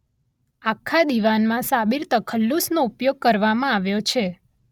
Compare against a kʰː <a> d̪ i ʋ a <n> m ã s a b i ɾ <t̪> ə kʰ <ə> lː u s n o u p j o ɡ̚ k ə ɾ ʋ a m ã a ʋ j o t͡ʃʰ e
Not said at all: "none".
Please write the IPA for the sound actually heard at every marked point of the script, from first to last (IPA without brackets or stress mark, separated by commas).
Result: a, n, t̪, ə